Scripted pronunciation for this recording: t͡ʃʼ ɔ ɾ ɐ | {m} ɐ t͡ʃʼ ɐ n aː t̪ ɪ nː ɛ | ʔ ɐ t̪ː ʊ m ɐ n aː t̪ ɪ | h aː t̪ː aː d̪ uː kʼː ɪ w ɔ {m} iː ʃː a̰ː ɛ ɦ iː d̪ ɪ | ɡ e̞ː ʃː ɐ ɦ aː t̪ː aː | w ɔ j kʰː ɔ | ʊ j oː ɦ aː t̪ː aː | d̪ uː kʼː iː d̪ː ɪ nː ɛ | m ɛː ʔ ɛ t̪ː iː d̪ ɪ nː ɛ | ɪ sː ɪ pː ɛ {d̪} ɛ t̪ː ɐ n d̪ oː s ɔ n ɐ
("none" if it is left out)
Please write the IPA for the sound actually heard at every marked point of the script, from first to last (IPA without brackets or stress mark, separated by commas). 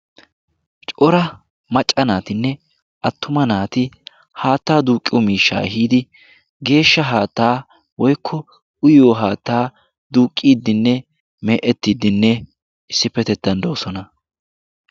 m, m, t̪